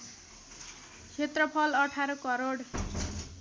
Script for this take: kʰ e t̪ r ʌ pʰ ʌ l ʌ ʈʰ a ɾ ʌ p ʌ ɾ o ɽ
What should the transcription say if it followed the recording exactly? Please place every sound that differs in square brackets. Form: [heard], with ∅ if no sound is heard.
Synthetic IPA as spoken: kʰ e t̪ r ʌ pʰ ʌ l ʌ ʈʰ a ɾ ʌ [k] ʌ ɾ o ɽ